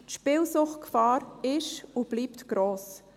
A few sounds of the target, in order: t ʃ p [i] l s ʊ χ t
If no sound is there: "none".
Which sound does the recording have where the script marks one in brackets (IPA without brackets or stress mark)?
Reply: ɪ